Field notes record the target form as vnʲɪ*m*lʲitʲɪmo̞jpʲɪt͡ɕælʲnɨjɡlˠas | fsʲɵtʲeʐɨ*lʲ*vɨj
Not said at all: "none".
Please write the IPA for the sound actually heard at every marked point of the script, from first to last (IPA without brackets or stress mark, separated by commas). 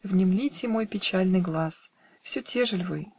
m, lʲ